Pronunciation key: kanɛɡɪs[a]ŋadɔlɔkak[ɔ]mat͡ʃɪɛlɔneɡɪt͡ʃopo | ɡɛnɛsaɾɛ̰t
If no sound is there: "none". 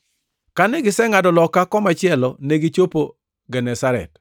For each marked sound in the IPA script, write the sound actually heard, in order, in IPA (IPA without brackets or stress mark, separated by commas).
ɛ, ɔ